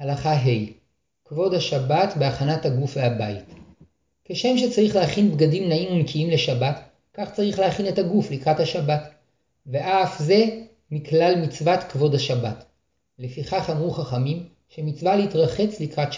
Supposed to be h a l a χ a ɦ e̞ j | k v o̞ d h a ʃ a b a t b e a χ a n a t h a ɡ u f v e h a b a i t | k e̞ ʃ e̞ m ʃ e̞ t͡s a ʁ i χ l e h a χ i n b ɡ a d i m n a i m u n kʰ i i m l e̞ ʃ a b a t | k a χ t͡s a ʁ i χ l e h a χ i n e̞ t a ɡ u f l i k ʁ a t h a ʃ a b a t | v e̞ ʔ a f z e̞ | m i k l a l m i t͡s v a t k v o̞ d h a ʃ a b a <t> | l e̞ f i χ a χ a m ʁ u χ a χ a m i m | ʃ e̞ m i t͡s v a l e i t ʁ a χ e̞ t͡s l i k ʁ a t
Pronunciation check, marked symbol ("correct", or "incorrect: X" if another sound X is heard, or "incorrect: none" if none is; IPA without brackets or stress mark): correct